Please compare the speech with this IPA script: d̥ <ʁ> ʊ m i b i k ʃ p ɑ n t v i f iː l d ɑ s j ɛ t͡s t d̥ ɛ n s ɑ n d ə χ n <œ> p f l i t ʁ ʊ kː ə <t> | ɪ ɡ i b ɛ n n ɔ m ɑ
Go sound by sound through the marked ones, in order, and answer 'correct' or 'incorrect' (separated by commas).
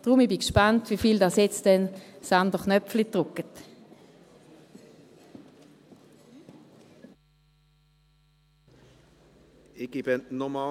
correct, correct, correct